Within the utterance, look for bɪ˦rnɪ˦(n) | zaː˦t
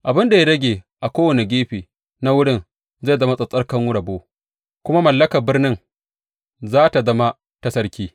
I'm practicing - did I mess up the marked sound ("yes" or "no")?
yes